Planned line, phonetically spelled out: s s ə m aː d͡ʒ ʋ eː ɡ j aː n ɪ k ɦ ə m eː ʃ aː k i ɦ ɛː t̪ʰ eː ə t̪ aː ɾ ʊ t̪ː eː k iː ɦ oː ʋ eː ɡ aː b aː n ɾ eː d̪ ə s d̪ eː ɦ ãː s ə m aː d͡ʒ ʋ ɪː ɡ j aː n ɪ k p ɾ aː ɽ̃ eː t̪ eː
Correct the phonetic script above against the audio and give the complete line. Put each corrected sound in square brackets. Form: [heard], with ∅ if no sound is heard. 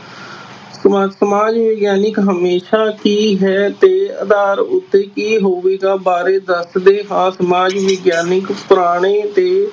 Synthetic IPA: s s ə m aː d͡ʒ ʋ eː ɡ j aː n ɪ k ɦ ə m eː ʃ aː k [iː] ɦ ɛː [t̪] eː ə [d̪] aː ɾ ʊ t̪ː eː k iː ɦ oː ʋ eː ɡ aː b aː [∅] ɾ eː d̪ ə s d̪ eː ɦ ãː s ə m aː d͡ʒ ʋ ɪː ɡ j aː n ɪ k p ɾ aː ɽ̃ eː t̪ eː